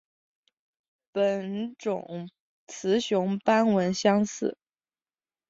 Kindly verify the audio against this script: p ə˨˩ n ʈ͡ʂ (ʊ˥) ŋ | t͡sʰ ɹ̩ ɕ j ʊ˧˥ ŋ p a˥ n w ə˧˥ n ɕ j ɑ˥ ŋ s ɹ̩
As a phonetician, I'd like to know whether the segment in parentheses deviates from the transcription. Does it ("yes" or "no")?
yes